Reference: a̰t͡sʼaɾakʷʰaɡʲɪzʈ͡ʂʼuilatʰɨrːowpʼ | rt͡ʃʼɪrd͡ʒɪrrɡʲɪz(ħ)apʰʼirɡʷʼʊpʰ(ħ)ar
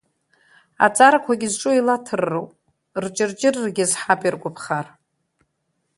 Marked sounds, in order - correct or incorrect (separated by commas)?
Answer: correct, incorrect